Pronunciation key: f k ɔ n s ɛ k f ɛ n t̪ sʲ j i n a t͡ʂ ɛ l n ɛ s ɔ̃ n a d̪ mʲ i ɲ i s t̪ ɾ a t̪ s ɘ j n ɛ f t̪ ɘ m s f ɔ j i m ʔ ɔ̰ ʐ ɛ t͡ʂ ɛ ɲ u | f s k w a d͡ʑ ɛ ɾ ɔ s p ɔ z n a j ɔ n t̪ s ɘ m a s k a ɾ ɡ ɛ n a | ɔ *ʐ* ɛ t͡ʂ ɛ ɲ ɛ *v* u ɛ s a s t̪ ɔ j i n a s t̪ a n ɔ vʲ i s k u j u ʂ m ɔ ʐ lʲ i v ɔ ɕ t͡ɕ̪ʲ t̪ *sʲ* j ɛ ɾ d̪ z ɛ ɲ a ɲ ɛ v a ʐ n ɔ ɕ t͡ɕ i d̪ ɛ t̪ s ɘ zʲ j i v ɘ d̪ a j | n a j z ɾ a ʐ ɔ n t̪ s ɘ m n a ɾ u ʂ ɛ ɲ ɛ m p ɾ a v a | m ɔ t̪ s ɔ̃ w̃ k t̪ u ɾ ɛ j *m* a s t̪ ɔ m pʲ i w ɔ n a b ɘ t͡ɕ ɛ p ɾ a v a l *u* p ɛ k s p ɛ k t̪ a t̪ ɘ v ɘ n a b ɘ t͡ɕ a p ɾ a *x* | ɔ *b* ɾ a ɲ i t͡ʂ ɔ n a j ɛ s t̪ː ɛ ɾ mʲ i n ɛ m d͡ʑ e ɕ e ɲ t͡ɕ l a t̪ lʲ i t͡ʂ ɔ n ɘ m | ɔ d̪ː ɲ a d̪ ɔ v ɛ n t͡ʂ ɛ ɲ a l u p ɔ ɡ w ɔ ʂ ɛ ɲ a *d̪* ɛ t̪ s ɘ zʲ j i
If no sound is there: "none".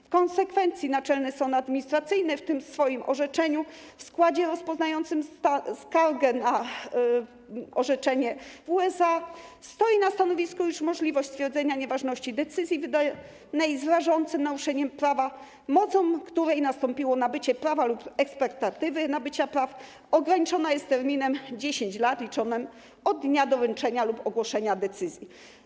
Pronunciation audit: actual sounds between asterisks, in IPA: ʐ, v, fʲ, n, u, f, ɡ, d̪

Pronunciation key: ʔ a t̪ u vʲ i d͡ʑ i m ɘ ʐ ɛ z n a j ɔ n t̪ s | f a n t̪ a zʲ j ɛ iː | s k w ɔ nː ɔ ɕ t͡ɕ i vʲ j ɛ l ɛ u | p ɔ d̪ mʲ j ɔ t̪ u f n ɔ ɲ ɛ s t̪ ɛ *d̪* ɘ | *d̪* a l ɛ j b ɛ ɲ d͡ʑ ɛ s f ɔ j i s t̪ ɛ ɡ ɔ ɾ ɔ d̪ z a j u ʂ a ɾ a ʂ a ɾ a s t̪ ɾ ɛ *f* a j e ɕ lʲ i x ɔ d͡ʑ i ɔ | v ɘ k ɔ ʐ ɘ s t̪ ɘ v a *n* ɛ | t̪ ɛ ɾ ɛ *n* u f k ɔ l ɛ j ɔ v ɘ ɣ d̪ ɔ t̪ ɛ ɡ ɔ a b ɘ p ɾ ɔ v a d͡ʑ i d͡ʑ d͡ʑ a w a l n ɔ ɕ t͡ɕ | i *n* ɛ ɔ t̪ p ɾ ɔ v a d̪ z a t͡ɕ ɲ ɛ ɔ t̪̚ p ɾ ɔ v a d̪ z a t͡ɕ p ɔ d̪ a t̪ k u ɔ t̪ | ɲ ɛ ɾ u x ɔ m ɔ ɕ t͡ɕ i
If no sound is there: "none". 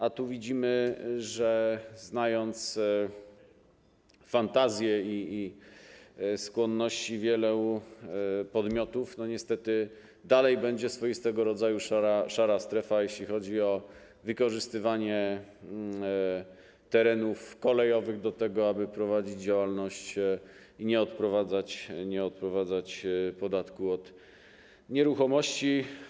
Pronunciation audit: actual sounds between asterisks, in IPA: t̪, d̪, f, ɲ, n, ɲ

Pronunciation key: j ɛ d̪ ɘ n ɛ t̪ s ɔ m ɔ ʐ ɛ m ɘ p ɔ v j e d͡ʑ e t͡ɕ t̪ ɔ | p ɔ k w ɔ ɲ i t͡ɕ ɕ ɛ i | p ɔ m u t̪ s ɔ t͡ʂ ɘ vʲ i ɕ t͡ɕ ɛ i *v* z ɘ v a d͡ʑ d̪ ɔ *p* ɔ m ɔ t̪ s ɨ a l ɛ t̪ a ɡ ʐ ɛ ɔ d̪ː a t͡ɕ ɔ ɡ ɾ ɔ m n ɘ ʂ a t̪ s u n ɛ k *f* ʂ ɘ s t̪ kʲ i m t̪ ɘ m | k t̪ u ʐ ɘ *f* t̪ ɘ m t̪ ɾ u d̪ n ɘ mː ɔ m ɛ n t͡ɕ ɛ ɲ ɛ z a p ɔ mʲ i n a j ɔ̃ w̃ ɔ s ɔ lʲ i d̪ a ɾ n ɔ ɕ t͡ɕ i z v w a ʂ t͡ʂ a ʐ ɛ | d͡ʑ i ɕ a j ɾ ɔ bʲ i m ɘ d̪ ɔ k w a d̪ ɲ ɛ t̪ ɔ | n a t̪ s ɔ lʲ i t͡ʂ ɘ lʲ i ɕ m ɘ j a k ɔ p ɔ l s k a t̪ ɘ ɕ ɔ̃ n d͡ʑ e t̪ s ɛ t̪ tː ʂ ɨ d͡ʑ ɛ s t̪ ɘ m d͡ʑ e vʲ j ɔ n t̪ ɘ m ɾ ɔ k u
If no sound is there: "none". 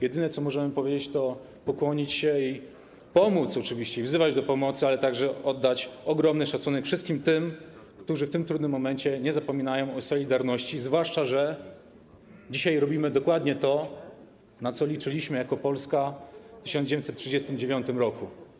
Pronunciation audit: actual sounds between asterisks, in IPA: v, p, f, f

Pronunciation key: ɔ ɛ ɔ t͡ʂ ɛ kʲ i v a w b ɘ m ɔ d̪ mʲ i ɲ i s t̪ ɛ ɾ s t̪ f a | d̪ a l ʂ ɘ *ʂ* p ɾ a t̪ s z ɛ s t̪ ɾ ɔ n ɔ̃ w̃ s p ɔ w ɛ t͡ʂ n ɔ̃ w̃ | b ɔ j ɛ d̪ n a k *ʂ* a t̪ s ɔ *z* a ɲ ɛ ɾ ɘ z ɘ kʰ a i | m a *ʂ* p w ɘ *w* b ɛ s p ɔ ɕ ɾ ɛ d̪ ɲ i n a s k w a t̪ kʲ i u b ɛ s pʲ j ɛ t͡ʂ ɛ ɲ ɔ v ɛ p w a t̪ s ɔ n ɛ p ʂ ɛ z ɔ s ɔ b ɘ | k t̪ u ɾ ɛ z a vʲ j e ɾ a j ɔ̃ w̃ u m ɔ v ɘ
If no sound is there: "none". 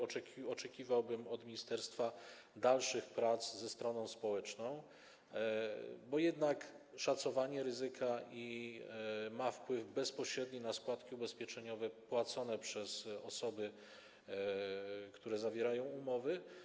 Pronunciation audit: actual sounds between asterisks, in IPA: x, ʂ, v, f, v

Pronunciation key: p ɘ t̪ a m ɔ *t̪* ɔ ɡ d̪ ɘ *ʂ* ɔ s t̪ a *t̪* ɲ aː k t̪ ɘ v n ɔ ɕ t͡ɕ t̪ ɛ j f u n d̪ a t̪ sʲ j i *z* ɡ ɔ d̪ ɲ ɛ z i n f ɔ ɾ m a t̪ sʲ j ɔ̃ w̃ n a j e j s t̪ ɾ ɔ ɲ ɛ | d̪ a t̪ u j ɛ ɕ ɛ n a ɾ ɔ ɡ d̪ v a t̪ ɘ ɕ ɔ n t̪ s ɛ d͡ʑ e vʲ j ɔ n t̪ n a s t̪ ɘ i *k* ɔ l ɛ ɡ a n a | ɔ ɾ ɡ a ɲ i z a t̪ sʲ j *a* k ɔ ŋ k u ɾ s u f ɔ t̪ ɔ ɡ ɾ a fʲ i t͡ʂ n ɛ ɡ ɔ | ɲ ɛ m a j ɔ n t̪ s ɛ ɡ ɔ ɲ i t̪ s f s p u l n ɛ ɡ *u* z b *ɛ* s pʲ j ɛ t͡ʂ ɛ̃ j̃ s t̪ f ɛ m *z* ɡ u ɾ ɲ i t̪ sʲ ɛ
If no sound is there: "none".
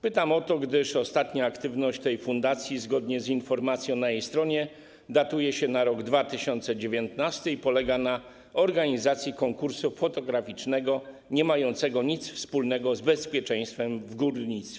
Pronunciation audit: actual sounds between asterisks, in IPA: t̪, ʂ, t̪, z, p, i, ɔ, ɛ, v

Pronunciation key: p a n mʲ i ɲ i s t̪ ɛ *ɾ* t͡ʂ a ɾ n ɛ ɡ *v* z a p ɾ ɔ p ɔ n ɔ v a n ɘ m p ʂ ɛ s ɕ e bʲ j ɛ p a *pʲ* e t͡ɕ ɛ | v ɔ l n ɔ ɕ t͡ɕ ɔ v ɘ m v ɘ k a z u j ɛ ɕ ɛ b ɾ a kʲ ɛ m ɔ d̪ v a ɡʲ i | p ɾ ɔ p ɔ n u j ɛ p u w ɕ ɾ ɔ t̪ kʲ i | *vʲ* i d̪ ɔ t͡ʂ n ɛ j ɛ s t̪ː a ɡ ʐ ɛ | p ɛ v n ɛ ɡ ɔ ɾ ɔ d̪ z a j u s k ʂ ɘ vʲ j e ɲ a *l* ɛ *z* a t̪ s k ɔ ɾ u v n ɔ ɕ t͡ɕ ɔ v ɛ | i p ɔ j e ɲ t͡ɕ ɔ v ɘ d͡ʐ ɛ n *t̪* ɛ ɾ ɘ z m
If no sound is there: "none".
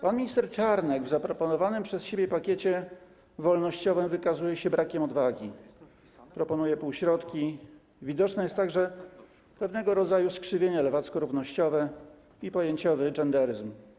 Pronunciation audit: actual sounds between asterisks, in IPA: ɾ, v, kʲ, vʲ, l, v, d̪

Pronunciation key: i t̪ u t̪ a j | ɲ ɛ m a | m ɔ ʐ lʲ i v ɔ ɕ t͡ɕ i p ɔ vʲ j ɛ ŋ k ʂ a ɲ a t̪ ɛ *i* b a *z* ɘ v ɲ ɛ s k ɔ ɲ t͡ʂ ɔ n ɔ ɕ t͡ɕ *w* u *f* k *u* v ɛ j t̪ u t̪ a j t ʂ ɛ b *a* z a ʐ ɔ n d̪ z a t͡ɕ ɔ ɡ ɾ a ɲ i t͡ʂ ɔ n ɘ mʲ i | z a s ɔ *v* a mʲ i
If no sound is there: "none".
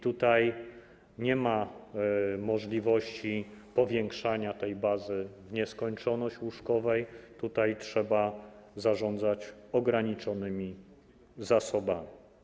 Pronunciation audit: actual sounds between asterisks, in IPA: j, z, w, ʂ, ɔ, a, b

